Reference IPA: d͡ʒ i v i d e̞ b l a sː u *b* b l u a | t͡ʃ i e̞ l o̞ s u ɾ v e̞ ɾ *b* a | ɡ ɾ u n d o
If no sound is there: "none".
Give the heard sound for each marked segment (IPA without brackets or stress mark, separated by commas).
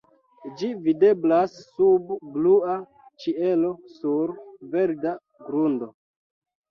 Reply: b, d